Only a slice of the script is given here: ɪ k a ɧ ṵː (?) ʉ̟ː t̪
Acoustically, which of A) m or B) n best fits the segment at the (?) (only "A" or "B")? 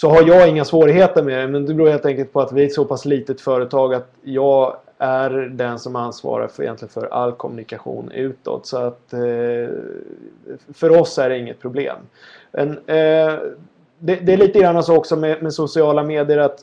B